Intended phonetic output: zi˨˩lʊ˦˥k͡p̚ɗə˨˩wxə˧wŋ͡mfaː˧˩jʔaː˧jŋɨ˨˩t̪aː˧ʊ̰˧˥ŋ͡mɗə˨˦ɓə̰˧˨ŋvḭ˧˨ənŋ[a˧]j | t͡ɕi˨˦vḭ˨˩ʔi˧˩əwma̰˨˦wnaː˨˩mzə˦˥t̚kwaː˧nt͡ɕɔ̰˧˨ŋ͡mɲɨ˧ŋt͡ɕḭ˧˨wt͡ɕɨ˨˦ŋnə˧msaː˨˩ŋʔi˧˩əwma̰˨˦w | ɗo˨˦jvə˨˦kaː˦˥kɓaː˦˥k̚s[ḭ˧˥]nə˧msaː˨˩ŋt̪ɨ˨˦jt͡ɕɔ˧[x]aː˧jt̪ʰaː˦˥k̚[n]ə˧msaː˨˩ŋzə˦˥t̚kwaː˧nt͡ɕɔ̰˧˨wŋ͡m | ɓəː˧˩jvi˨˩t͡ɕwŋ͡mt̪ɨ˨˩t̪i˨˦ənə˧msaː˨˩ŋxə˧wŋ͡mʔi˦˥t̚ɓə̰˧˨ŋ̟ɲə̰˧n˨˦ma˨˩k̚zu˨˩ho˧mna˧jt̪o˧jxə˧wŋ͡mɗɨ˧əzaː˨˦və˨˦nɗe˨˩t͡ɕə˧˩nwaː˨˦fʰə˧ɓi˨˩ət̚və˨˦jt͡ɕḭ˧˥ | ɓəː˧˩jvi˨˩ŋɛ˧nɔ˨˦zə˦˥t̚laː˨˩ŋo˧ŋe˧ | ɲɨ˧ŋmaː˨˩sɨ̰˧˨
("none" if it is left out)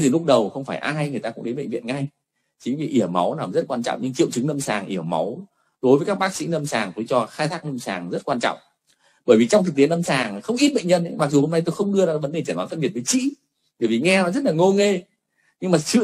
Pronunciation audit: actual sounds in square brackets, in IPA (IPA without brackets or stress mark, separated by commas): a˧, ḭ˧˥, x, n